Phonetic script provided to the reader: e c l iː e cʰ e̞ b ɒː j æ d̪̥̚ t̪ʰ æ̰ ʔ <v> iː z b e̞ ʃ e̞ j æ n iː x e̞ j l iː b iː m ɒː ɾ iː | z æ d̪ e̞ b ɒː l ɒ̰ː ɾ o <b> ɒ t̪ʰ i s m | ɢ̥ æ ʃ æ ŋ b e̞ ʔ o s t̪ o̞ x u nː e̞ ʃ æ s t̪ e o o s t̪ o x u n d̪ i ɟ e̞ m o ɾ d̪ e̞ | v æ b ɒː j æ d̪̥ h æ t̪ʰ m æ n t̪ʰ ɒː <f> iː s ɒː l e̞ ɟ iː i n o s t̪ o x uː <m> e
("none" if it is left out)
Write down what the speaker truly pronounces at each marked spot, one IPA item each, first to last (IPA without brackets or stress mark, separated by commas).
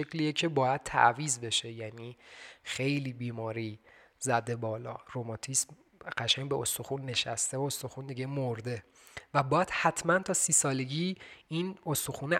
v, m, s, n